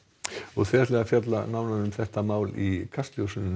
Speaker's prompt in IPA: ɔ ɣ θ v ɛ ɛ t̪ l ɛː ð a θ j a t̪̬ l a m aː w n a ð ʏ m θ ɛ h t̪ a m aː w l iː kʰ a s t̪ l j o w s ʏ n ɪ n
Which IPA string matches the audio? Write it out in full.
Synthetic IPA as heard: ɔ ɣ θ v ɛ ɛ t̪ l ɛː ɣ a f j a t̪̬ l a n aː w n a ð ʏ m θ ɛ h t̪ a m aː w l i kʰ a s t̪ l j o w s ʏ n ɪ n